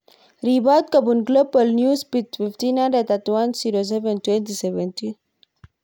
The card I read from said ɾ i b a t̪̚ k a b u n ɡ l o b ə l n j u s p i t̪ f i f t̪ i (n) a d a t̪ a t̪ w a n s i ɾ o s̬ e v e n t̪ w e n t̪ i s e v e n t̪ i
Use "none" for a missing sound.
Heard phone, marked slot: n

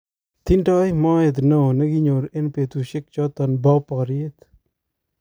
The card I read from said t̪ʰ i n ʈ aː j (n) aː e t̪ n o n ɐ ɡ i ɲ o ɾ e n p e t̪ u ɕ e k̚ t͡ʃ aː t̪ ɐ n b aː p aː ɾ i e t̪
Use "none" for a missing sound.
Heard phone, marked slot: m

